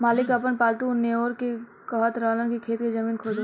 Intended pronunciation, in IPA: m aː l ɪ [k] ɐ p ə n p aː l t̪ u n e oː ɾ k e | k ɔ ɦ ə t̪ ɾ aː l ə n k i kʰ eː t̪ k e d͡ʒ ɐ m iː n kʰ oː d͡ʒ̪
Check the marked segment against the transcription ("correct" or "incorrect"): correct